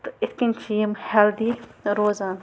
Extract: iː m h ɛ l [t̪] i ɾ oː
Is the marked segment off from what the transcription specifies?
yes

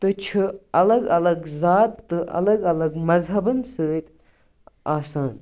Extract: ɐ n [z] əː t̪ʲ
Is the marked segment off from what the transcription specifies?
yes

